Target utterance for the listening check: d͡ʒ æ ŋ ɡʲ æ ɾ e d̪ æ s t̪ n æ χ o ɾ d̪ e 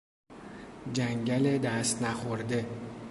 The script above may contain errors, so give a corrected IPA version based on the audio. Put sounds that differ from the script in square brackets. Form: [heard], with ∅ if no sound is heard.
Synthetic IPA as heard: d͡ʒ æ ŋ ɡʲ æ [l] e d̪ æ s t̪ n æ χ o ɾ d̪ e